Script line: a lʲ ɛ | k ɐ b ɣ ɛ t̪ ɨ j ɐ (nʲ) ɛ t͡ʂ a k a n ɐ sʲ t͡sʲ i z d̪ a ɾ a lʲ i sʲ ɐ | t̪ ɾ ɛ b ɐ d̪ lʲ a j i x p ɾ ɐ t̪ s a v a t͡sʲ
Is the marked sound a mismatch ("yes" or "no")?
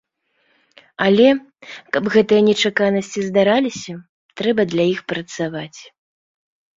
no